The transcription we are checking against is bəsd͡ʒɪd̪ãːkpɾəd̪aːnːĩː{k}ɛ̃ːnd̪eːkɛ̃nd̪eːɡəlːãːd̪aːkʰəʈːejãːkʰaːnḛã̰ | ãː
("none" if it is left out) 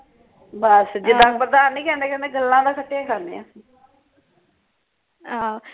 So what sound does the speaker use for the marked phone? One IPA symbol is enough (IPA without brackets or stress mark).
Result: k